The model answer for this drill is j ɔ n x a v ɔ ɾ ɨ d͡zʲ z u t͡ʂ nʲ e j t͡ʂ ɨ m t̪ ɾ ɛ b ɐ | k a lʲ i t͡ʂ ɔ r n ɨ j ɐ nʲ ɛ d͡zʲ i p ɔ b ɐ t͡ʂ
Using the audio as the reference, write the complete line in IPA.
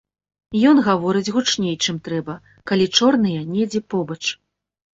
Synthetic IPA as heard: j ɔ n ɣ a v ɔ ɾ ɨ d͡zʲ ɣ u t͡ʂ nʲ e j t͡ʂ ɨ m t̪ ɾ ɛ b ɐ | k a lʲ i t͡ʂ ɔ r n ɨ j ɐ nʲ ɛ d͡zʲ ɛ p ɔ b ɐ t͡ʂ